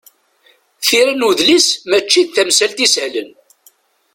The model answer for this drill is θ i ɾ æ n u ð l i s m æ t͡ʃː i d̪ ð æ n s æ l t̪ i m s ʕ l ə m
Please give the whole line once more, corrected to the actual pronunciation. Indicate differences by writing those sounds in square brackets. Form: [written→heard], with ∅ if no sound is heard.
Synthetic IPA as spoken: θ i ɾ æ n u ð l i s m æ t͡ʃː i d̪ [ð→θ] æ [n→m] s æ l t̪ i [m→∅] s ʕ l ə [m→n]